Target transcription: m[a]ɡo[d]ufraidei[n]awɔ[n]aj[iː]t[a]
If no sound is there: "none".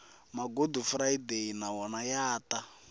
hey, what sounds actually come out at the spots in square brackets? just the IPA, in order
a, d, n, n, aː, a

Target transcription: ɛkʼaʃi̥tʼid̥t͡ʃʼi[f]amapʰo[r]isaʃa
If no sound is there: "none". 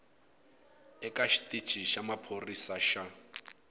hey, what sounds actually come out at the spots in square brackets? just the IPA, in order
ʃ, r

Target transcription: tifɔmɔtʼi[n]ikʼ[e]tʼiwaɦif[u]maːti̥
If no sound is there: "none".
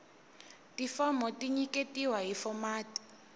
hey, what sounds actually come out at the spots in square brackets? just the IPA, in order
ɲ, e, ɔ

